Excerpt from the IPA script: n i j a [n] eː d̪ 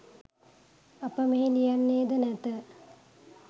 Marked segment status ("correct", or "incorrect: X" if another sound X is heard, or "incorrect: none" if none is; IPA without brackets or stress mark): incorrect: nː